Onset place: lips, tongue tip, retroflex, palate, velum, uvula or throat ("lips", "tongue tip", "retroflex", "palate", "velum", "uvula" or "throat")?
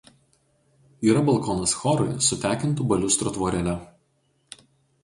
tongue tip